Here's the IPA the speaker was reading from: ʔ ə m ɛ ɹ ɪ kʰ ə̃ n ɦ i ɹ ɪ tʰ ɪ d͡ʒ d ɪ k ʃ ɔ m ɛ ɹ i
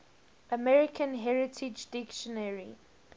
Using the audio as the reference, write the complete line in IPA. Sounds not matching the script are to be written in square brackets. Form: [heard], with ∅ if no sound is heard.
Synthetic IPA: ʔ ə m ɛ ɹ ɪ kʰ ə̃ n ɦ [ɛ] ɹ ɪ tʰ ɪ d͡ʒ d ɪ k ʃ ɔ [n] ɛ ɹ i

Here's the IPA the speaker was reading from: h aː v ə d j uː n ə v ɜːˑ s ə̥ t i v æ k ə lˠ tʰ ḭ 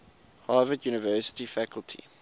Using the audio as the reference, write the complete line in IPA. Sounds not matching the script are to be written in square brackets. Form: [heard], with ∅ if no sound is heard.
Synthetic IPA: h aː v ə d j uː n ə v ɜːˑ s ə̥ t i [f] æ k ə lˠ tʰ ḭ

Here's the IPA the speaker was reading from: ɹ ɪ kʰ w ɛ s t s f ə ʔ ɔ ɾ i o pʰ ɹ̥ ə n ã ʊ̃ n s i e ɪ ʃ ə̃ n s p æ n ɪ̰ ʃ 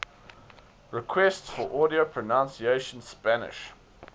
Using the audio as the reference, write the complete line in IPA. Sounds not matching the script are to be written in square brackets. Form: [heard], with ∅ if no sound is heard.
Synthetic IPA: ɹ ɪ kʰ w ɛ s t s f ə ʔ ɔ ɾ i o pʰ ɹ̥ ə n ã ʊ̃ n s i e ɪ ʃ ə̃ n s p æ n ɪ̰ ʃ

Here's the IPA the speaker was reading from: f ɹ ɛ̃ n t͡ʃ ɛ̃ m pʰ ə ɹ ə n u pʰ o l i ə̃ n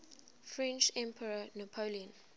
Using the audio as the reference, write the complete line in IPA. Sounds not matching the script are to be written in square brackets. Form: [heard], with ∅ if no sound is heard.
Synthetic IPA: f ɹ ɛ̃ n t͡ʃ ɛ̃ m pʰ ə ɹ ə n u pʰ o l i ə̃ n

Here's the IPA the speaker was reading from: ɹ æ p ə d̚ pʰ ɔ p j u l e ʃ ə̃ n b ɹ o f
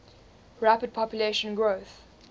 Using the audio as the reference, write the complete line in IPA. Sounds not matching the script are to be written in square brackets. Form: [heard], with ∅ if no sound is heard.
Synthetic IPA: ɹ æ p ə d̚ pʰ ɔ p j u l e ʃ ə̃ n [ɡ] ɹ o [θ]

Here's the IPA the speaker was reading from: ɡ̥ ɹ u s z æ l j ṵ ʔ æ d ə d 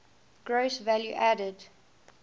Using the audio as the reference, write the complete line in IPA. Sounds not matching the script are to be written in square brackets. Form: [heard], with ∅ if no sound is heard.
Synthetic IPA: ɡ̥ ɹ [o] s [v] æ l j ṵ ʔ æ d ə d

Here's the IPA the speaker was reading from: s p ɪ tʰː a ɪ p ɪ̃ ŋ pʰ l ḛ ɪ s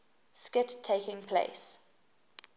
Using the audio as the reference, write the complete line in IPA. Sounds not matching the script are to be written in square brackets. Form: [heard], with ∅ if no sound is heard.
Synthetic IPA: s [k] ɪ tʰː [e] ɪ [k] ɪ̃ ŋ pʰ l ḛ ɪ s

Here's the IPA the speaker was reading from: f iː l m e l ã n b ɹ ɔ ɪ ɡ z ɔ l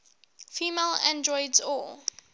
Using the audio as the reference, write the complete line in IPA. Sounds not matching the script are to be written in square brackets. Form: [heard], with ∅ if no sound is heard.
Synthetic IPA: f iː [∅] m e l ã n [d] ɹ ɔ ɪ [d] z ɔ l

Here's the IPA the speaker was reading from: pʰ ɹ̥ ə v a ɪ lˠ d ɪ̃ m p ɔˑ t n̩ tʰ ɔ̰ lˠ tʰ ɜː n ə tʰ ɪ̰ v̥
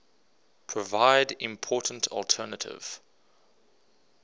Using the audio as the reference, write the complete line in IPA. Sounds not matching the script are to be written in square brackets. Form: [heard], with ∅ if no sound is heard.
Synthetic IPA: pʰ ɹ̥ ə v a ɪ [∅] d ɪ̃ m [pʰ] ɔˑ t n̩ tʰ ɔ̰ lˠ tʰ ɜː n ə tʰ ɪ̰ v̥

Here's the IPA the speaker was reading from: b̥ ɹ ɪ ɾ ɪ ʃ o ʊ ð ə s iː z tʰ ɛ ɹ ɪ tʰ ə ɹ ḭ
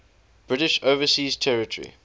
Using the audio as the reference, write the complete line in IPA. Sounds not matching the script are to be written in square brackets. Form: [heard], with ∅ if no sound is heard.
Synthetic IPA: b̥ ɹ ɪ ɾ ɪ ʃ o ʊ [v] ə s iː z tʰ ɛ ɹ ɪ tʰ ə ɹ ḭ

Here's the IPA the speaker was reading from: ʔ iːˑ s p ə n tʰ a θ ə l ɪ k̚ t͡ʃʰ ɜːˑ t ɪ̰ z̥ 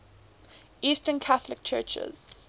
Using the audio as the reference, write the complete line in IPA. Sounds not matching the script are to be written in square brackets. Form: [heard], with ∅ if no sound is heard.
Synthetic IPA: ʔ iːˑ s [t] ə n [kʰ] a θ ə l ɪ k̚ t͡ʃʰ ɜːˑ [t͡ʃ] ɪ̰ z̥

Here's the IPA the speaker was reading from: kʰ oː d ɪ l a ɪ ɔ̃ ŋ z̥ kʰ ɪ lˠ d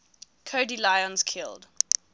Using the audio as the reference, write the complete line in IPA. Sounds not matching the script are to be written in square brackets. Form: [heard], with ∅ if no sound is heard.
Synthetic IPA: kʰ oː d [i] l a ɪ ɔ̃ [n] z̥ kʰ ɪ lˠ d

